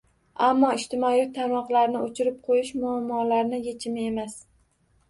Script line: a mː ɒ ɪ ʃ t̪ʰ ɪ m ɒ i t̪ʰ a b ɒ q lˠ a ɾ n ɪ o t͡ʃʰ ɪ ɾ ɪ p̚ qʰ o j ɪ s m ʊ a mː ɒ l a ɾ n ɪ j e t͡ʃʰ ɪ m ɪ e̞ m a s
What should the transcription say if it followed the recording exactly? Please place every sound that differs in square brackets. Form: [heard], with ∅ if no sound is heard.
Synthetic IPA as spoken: a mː ɒ ɪ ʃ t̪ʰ ɪ m ɒ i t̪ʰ a [m] ɒ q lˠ a ɾ n ɪ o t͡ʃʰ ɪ ɾ ɪ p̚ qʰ o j ɪ [ʃ] m ʊ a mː ɒ l a ɾ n ɪ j e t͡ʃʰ ɪ m ɪ e̞ m a s